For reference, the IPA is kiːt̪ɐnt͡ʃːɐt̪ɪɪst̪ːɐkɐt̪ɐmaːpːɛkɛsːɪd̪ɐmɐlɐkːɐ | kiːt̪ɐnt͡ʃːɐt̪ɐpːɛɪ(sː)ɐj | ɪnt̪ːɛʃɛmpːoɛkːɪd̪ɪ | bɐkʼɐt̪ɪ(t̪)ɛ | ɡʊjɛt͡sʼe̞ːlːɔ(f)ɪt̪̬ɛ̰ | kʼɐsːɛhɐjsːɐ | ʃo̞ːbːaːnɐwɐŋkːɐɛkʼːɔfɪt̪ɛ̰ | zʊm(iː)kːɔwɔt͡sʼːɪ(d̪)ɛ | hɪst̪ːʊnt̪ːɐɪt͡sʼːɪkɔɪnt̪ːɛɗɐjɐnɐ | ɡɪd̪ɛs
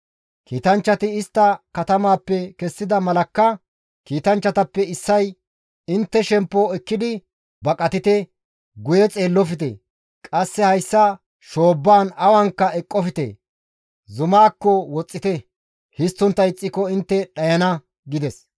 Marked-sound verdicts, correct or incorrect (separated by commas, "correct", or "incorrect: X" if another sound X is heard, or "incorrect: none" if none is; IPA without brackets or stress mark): correct, correct, correct, incorrect: aː, incorrect: t̪